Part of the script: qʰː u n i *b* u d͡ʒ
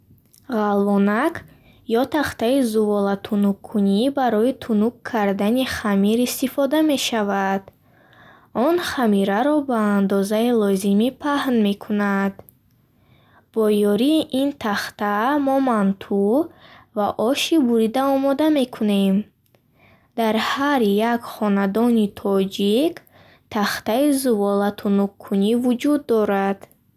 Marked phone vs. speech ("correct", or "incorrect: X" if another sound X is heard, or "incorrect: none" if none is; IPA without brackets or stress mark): incorrect: v